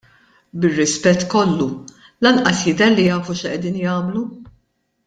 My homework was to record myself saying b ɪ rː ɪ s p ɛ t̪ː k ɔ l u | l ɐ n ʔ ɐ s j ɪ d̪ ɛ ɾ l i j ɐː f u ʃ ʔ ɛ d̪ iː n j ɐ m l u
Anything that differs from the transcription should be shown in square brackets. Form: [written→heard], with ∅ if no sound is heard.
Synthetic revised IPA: b ɪ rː ɪ s p ɛ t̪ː k ɔ [l→lː] u | l ɐ n ʔ ɐ s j ɪ d̪ ɛ ɾ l i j ɐː f u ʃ ʔ ɛ d̪ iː n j [ɐ→ɐː] m l u